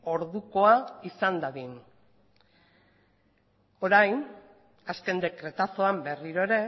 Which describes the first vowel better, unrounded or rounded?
rounded